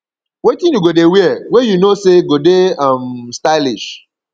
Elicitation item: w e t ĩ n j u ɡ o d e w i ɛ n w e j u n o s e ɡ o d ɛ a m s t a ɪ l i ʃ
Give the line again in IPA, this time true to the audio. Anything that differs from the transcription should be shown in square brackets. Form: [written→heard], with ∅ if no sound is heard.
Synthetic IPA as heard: w e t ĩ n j u ɡ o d e w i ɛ [n→∅] w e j u n o s e ɡ o d [ɛ→e] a m s t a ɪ l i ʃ